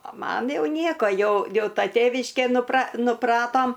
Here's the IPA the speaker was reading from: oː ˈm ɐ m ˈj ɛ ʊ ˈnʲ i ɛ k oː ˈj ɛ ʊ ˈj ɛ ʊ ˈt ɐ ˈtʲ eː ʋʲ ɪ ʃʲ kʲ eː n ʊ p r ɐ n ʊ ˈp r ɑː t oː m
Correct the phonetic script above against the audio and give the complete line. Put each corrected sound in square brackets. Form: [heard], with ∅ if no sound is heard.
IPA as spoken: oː ˈm ɐ [n] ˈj ɛ ʊ ˈnʲ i ɛ k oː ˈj ɛ ʊ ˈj ɛ ʊ ˈt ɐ ˈtʲ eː ʋʲ ɪ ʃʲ kʲ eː n ʊ p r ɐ n ʊ ˈp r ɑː t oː m